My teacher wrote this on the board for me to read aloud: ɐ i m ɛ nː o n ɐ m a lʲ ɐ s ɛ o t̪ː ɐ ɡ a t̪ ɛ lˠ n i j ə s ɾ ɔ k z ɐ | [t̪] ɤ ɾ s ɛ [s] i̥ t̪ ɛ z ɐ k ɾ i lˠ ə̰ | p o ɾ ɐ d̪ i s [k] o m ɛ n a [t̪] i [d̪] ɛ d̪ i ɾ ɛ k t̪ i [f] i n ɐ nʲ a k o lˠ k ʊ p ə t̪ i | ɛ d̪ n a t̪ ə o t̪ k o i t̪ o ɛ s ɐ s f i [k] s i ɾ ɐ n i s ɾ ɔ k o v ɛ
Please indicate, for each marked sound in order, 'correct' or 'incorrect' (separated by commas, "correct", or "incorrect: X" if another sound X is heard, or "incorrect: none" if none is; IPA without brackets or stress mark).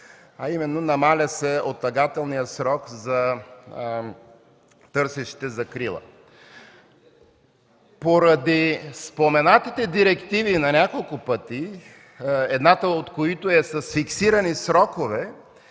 correct, incorrect: ʃ, incorrect: p, correct, incorrect: t̪, incorrect: v, correct